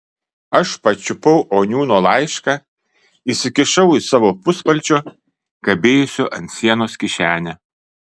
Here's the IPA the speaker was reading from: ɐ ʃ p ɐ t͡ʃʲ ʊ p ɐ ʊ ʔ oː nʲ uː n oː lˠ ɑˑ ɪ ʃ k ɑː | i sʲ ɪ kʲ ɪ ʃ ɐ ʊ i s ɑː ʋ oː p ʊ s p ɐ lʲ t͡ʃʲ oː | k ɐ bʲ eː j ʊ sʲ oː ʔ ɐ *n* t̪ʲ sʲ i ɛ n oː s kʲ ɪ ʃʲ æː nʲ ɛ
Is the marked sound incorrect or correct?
correct